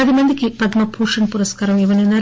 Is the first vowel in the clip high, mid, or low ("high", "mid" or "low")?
low